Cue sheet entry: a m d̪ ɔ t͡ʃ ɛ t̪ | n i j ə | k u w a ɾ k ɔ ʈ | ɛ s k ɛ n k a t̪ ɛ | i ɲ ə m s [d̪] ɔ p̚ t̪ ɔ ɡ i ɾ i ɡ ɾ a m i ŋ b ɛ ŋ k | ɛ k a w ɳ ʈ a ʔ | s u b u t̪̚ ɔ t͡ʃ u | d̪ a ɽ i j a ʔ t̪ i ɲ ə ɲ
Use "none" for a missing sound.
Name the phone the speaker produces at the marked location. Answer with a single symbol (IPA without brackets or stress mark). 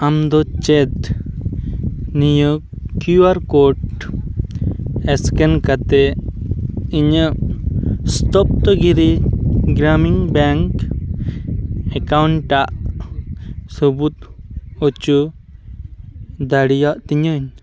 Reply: t̪